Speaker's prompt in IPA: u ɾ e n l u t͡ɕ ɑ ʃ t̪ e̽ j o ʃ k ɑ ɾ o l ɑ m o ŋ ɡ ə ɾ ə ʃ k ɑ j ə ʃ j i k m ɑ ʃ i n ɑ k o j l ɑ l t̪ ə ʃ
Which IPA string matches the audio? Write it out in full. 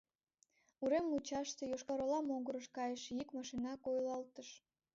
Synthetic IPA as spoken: u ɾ e m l u t͡ɕ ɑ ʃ t̪ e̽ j o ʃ k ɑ ɾ o l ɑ m o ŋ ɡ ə ɾ ə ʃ k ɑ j ə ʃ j i k m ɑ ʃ i n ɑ k o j l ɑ l t̪ ə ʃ